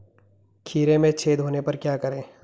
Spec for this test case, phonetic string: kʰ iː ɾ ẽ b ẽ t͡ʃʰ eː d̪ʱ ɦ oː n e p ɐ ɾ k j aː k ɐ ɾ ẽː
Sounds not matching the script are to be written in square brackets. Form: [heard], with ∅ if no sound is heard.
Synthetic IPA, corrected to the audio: kʰ iː ɾ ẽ [m] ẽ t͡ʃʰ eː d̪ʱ ɦ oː n e p ɐ ɾ k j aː k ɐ ɾ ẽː